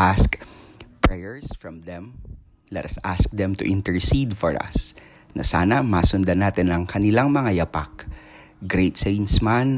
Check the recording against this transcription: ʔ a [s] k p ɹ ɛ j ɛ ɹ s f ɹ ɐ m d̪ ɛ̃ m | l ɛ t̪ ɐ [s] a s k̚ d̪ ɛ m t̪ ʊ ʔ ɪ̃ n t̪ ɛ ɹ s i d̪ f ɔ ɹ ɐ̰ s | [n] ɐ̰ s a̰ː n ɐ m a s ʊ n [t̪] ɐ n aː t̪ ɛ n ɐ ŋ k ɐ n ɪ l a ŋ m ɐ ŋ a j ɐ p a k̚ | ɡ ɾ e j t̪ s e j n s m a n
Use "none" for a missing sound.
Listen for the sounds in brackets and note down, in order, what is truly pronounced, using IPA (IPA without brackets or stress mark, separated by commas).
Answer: s, s, n, d̪